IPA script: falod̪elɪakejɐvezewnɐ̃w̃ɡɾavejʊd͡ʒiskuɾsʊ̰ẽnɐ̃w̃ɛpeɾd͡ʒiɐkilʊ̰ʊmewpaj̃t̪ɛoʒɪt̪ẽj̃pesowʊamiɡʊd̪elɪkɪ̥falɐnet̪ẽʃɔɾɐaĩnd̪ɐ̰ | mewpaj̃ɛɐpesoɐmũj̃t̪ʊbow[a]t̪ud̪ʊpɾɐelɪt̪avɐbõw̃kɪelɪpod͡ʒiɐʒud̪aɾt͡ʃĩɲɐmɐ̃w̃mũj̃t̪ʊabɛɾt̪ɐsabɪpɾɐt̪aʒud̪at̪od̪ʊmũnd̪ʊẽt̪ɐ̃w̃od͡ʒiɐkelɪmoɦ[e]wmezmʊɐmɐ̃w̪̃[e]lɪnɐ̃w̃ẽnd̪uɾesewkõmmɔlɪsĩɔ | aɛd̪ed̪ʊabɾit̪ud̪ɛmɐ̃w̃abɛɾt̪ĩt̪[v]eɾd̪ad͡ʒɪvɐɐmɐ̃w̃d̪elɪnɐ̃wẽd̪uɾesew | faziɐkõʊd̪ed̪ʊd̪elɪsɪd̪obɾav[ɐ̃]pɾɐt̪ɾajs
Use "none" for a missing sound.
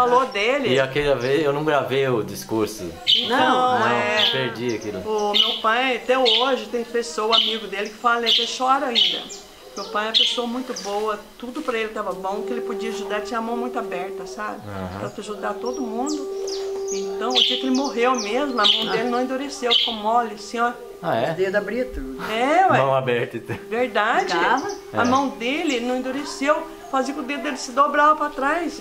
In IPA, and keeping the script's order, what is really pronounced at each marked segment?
ɐ, e, e, v, ɐ

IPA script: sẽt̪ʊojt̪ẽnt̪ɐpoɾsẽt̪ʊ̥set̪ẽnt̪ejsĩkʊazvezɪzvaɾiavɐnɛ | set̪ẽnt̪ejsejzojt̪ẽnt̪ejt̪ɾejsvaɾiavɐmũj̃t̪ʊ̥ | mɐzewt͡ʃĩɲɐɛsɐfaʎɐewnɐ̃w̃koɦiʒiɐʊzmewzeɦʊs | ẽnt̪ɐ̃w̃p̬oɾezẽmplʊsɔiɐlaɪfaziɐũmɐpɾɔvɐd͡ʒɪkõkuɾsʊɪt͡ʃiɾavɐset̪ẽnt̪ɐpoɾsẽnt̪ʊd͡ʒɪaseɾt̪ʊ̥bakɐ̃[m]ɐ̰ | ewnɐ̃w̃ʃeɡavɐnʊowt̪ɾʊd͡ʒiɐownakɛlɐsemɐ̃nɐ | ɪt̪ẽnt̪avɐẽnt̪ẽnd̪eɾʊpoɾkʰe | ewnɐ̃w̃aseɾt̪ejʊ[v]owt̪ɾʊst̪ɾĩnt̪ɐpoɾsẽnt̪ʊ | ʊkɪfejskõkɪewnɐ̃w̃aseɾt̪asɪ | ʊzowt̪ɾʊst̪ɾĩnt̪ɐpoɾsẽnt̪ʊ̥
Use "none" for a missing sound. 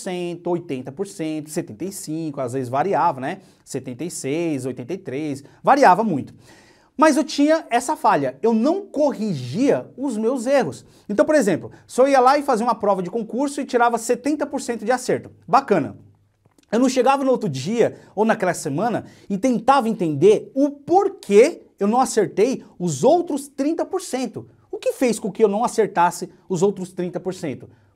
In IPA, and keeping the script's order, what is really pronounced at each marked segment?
n, z

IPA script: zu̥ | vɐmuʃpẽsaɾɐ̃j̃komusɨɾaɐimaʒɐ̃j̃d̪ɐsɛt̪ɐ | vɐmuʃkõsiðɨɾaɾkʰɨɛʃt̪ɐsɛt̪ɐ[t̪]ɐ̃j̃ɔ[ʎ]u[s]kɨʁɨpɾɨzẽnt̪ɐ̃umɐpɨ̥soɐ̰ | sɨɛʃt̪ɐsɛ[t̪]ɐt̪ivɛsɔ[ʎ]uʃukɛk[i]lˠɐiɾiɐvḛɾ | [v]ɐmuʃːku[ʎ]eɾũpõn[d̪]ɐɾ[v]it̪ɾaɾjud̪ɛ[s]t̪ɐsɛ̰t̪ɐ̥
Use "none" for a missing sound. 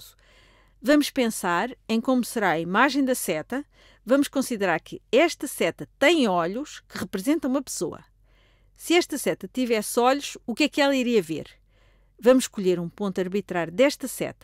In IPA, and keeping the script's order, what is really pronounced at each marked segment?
t̪, ʎ, ʃ, t̪, ʎ, ɛ, v, ʎ, t̪, β, ʃ

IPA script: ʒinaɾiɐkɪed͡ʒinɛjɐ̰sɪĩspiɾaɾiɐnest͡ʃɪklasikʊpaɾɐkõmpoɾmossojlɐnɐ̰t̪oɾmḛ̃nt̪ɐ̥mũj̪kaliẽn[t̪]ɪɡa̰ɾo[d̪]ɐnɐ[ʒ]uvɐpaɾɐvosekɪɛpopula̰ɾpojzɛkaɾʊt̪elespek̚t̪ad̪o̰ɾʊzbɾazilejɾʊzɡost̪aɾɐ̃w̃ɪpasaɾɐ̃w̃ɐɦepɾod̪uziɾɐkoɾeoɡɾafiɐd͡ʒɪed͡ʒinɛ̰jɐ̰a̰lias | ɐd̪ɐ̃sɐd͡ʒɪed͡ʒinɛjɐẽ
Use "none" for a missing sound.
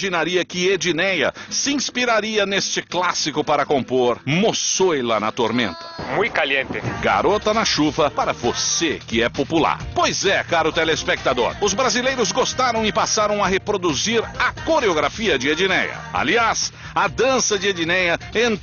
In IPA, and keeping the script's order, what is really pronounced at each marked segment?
t̪, t̪, ʃ

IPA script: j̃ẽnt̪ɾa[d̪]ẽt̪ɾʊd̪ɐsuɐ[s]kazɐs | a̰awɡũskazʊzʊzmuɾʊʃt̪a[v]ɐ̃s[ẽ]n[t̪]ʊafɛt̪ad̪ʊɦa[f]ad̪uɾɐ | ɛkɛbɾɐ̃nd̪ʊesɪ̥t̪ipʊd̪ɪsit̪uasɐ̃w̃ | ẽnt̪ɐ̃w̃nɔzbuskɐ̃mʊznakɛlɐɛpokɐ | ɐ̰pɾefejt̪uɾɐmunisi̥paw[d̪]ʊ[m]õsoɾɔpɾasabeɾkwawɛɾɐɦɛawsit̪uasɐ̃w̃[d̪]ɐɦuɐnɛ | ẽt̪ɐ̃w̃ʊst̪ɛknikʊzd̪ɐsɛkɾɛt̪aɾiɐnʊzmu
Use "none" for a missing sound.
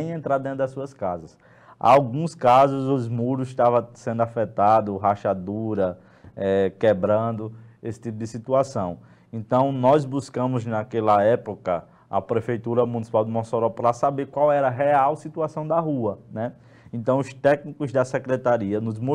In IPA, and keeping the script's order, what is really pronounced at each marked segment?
d̪, s, v, ẽ, d̪, ʃ, d̪, m, d̪

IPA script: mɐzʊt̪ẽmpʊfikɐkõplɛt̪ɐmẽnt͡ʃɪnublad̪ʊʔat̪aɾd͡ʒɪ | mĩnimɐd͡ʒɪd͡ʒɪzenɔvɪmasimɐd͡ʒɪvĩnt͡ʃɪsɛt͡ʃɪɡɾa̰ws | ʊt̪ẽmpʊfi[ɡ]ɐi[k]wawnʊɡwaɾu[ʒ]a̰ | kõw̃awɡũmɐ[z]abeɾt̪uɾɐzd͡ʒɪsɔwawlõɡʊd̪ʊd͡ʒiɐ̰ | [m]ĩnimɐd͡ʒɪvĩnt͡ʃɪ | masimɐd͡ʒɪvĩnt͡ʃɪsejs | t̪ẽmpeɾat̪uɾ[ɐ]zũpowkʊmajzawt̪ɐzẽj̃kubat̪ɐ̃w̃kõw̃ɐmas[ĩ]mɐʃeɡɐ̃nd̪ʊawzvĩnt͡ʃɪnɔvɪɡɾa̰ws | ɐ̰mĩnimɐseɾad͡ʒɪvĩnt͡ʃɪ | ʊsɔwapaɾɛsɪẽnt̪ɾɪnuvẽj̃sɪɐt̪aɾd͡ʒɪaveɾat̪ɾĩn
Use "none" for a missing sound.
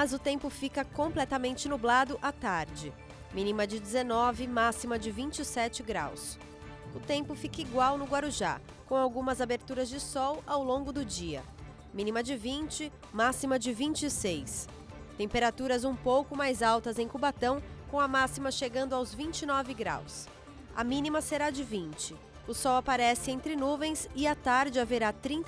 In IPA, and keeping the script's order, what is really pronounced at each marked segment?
k, ɡ, ʒ, z, m, ɐ, i

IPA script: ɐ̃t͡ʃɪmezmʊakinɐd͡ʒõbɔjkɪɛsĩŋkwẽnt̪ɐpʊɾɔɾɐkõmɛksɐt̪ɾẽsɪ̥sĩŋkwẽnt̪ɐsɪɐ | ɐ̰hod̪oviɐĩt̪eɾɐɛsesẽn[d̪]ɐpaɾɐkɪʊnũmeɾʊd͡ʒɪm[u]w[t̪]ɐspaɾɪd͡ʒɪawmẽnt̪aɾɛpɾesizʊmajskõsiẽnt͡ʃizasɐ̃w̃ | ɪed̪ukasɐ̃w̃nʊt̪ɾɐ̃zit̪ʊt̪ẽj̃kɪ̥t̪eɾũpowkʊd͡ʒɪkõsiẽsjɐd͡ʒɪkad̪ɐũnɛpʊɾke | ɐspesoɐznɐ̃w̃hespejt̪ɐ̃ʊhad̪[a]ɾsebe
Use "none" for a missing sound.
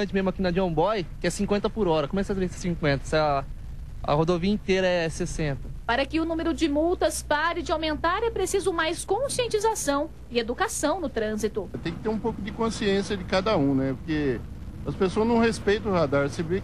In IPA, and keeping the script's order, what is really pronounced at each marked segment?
t̪, u, t̪, a

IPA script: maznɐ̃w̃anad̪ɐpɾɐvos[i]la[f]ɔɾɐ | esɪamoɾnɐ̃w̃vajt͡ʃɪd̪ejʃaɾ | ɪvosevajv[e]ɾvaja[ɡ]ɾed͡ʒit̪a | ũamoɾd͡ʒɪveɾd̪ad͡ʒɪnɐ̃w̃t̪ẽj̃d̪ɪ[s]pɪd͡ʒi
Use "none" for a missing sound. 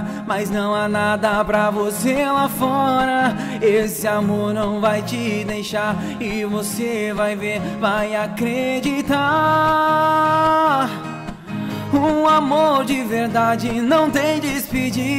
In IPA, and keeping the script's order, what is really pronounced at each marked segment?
e, f, e, k, s

